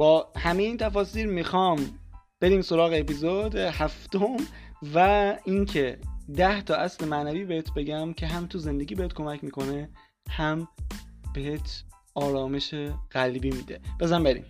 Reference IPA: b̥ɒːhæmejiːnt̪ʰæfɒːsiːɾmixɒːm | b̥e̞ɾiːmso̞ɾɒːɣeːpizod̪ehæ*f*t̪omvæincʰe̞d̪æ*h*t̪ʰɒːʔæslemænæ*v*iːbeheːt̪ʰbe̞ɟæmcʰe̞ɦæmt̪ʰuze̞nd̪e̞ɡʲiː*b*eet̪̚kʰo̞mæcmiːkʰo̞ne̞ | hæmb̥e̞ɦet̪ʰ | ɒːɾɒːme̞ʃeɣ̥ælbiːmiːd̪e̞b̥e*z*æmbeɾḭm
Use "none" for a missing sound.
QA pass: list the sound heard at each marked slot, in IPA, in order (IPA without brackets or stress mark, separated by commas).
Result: f, h, v, b, z